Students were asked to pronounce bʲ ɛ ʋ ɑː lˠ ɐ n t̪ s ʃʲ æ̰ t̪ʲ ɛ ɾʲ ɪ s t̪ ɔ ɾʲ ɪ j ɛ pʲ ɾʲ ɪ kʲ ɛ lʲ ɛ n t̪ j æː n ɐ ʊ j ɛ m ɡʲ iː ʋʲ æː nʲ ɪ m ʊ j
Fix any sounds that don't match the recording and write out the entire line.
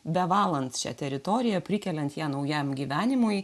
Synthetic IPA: bʲ ɛ ʋ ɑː lˠ ɐ n t̪ s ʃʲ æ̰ t̪ʲ ɛ ɾʲ ɪ t̪ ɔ ɾʲ ɪ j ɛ pʲ ɾʲ ɪ kʲ ɛ lʲ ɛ n t̪ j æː n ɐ ʊ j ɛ m ɡʲ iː ʋʲ æː nʲ ɪ m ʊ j

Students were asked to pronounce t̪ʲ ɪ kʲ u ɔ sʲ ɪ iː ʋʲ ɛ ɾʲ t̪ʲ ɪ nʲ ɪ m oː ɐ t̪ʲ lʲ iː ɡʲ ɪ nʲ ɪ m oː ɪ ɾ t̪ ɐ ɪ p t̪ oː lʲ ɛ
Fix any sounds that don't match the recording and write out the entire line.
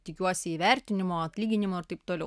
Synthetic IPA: t̪ʲ ɪ kʲ u ɔ sʲ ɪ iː ʋʲ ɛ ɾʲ t̪ʲ ɪ nʲ ɪ m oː ɐ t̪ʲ lʲ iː ɡʲ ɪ nʲ ɪ m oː ɪ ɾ t̪ ɐ ɪ p t̪ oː lʲ ɛ

